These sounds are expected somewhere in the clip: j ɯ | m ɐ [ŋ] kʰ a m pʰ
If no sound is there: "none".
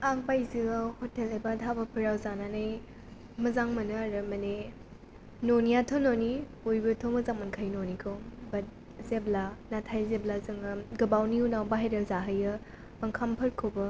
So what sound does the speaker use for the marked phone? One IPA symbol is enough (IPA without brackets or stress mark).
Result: ŋ